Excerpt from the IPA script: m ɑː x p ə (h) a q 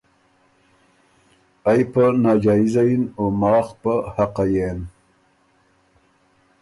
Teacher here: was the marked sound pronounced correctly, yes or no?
yes